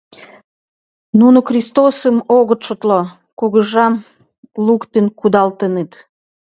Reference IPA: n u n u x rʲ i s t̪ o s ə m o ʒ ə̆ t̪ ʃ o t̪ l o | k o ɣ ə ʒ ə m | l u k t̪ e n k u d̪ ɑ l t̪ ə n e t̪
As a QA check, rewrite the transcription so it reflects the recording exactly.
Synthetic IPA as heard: n u n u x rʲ i s t̪ o s ə m o ɣ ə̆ t̪ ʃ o t̪ l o | k u ɣ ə ʒ ɑ m | l u k t̪ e n k u d̪ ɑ l t̪ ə n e t̪